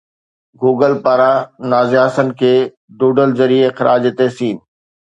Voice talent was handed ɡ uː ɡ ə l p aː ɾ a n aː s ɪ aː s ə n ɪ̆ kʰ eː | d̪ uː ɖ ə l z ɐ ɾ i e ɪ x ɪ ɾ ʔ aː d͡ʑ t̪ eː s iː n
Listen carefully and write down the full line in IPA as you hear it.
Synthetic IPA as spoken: ɡ uː ɡ ə l p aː ɾ a n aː z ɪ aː s ə n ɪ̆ kʰ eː | d̪ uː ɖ ə l z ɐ ɾ i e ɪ x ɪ ɾ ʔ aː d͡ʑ t̪ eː s iː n